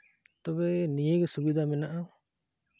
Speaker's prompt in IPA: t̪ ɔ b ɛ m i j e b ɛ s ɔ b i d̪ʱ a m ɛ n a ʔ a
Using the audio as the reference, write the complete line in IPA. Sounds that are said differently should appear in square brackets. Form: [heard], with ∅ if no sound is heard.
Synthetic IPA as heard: t̪ ɔ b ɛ [n] i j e [ɡ] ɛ s [u] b i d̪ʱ a m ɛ n a ʔ a